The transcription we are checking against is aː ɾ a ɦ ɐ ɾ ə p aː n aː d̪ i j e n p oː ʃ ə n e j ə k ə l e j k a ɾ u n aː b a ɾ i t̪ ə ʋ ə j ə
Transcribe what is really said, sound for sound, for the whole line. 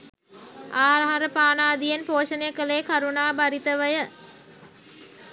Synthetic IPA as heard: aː ɾ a ɦ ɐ ɾ ə p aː n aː d̪ i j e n p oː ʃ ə n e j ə k ə l e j k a ɾ u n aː b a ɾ i t̪ ə ʋ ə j ə